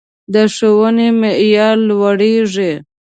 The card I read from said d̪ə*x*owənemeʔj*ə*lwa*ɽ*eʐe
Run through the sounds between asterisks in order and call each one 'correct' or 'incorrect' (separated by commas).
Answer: incorrect, incorrect, correct